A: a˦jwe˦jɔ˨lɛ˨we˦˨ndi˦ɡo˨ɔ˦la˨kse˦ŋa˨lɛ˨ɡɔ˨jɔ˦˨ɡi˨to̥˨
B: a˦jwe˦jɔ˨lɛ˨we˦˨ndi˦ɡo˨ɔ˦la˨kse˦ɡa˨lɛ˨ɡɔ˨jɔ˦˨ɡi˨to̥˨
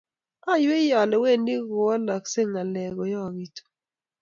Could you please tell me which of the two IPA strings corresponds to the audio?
A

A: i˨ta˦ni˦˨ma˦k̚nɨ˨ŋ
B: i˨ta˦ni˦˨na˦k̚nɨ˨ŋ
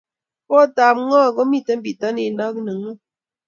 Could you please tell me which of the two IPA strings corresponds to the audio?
B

